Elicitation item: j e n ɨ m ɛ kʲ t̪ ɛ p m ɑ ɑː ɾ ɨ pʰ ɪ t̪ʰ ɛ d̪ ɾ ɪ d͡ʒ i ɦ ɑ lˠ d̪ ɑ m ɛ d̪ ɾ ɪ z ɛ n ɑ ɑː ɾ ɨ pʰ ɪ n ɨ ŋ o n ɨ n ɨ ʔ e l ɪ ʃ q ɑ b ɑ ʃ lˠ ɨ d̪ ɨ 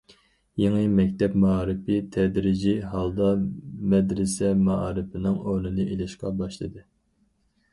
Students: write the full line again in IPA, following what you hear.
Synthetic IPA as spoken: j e ŋ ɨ m ɛ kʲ t̪ ɛ p m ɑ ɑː ɾ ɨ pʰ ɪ t̪ʰ ɛ d̪ ɾ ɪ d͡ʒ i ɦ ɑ lˠ d̪ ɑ m ɛ d̪ ɾ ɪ s ɛ m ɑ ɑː ɾ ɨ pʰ ɪ n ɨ ŋ o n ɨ n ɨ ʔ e l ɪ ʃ q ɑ b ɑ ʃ lˠ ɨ d̪ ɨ